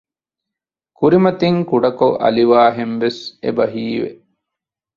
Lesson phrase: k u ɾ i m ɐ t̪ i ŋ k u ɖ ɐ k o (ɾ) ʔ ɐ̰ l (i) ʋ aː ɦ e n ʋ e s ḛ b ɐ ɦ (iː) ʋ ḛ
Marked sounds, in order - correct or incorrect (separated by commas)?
incorrect, correct, correct